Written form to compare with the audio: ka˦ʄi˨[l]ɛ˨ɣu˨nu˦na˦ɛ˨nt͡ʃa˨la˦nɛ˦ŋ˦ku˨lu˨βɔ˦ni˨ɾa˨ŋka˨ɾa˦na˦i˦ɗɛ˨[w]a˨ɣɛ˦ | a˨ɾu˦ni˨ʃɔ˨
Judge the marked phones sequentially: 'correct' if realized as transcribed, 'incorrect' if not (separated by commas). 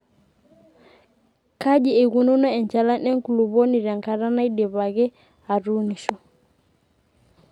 incorrect, incorrect